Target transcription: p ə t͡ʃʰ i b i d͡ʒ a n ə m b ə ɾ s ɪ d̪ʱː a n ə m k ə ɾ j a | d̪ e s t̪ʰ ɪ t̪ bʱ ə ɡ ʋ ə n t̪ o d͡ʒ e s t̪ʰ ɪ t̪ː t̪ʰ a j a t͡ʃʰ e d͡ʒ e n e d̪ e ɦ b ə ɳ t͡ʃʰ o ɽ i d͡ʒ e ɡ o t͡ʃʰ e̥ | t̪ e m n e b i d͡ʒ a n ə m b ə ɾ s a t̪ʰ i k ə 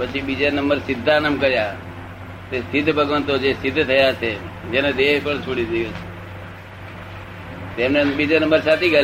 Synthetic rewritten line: p ə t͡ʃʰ i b i d͡ʒ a n ə m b ə ɾ s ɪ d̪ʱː a n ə m k ə ɾ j a | t̪ e s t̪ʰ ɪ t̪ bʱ ə ɡ ʋ ə n t̪ o d͡ʒ e s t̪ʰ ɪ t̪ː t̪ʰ ə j a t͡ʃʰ e d͡ʒ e n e d̪ e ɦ p ə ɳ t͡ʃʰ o ɽ i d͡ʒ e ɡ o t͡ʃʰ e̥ | t̪ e m n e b i d͡ʒ a n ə m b ə ɾ s a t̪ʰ i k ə